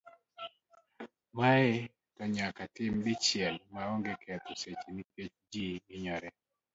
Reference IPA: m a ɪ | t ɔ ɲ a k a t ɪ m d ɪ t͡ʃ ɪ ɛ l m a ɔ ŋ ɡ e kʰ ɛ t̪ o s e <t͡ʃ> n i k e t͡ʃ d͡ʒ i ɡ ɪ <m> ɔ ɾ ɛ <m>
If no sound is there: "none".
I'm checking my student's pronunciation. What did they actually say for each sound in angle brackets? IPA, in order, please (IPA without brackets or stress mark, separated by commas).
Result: t͡ʃ, ɲ, none